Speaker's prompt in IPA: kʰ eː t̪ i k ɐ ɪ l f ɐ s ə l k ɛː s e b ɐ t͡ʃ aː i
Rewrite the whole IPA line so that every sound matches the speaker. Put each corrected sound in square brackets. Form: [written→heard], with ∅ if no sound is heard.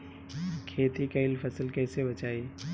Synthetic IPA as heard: kʰ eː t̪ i k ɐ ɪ l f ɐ s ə l k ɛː s e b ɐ t͡ʃ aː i